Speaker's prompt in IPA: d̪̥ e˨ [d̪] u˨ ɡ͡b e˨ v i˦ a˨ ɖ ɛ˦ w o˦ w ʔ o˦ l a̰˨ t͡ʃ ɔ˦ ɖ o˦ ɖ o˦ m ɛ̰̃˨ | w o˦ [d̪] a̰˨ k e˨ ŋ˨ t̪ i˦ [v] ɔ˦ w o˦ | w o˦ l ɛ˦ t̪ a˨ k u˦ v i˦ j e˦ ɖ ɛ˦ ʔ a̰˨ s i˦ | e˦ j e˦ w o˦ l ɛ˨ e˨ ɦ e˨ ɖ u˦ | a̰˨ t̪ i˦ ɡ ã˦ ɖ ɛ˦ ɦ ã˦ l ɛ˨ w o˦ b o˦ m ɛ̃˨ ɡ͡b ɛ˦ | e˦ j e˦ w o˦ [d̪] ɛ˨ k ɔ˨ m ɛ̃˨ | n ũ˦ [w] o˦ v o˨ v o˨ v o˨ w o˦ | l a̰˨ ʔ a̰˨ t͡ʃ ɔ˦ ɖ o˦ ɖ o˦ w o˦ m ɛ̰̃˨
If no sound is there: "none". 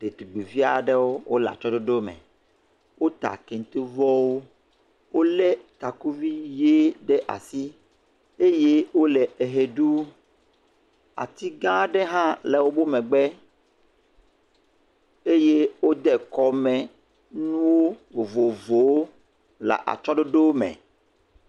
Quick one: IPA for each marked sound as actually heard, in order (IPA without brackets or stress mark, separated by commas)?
t̪, t̪, v, d̪, w